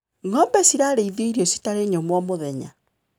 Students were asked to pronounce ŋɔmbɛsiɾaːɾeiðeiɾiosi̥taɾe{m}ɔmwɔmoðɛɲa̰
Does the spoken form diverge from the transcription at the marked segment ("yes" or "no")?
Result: yes